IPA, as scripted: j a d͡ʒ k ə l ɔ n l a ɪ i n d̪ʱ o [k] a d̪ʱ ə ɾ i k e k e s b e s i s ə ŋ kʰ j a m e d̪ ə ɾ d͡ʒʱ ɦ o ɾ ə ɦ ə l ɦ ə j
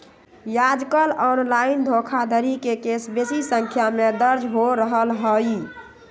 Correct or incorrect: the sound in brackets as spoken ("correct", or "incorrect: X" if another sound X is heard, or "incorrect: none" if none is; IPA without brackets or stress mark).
incorrect: kʰ